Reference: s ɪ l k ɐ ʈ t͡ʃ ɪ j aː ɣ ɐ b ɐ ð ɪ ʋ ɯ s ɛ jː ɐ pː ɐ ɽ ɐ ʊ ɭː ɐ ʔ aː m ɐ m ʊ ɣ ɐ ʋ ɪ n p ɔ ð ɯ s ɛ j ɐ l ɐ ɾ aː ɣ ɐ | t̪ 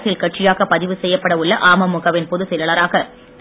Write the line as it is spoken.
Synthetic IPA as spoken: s ɪ l k ɐ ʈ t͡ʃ ɪ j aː ɣ ɐ p ɐ ð ɪ ʋ ɯ s ɛ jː ɐ pː ɐ ɽ ɐ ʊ ɭː ɐ ʔ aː m ɐ m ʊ ɣ ɐ ʋ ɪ n p ɔ ð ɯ s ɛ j ɐ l ɐ ɾ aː ɣ ɐ | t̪

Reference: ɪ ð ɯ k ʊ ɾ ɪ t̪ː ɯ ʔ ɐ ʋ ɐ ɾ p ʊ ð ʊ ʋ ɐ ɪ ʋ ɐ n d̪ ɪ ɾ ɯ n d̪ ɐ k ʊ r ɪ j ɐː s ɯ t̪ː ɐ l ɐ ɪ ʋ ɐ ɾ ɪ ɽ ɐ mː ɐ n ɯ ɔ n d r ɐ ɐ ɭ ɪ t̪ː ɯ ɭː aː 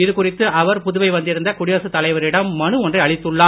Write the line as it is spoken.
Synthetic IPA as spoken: ɪ ð ɯ k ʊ r ɪ t̪ː ɯ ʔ ɐ ʋ ɐ ɾ p ʊ ð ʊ ʋ ɐ ɪ ʋ ɐ n d̪ ɪ ɾ ɯ n d̪ ɐ k ʊ ɽ ɪ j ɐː s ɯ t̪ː ɐ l ɐ ɪ ʋ ɐ ɾ ɪ ɽ ɐ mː ɐ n ɯ ɔ n d r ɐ ɐ ɭ ɪ t̪ː ɯ ɭː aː

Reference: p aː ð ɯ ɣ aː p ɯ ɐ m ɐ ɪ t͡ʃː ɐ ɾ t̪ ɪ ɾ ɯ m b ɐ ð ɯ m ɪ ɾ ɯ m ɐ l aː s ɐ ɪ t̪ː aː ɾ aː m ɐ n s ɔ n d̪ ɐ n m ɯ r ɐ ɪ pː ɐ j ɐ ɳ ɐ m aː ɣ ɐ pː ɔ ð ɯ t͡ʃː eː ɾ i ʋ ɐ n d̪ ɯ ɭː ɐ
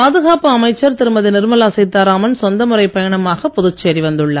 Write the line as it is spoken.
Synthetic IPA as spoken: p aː ð ɯ ɣ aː p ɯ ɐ m ɐ ɪ t͡ʃː ɐ ɾ t̪ ɪ ɾ ɯ m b ɐ ð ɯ n ɪ ɾ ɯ m ɐ l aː s ɐ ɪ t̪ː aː ɾ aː m ɐ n s ɔ n d̪ ɐ m ɯ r ɐ ɪ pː ɐ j ɐ ɳ ɐ m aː ɣ ɐ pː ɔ ð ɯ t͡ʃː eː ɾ i ʋ ɐ n d̪ ɯ ɭː ɐ

